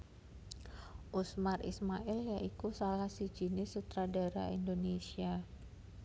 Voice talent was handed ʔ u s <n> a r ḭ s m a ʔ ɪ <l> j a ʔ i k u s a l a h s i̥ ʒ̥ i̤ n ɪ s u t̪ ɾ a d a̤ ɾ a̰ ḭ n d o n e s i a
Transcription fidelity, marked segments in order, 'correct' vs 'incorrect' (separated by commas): incorrect, correct